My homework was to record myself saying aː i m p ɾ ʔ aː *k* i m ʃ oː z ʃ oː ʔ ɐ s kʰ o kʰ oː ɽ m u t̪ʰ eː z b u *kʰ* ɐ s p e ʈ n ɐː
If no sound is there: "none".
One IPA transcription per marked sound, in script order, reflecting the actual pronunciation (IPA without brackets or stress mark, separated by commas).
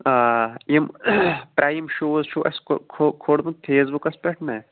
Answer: none, k